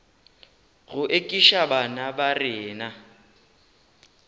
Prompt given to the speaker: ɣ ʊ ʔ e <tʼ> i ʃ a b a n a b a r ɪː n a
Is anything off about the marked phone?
yes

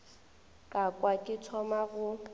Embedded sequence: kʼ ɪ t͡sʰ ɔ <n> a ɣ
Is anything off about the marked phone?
yes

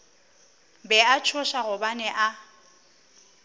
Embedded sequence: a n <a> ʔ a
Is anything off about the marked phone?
yes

